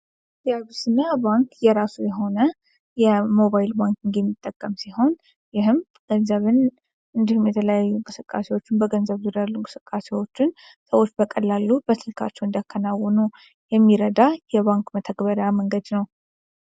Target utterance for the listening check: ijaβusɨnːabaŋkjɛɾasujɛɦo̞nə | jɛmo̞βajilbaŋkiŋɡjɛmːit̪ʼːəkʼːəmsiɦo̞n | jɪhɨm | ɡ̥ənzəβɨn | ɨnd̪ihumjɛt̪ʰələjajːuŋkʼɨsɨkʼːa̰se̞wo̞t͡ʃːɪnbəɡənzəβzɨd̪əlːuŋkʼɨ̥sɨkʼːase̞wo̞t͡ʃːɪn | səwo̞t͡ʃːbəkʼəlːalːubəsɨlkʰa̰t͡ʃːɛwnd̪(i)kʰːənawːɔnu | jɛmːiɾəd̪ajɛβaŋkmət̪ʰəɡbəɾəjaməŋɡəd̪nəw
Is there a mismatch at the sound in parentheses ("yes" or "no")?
yes